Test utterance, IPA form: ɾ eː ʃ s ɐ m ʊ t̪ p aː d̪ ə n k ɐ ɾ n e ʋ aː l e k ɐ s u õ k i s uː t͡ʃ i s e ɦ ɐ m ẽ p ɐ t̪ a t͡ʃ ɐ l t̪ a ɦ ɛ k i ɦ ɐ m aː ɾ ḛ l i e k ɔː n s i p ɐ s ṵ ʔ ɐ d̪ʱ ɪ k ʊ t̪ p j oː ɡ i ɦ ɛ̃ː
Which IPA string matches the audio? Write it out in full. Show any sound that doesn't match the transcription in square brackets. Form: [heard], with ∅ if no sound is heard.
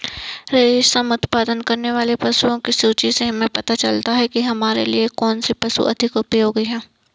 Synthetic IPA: ɾ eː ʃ s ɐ m ʊ t̪ p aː d̪ ə n k ɐ ɾ n e ʋ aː l e [p] ɐ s u õ k i s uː t͡ʃ i s e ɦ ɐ m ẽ p ɐ t̪ a t͡ʃ ɐ l t̪ a ɦ ɛ k i ɦ ɐ m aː ɾ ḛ l i e k ɔː n s i p ɐ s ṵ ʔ ɐ d̪ʱ ɪ k ʊ [∅] p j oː ɡ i ɦ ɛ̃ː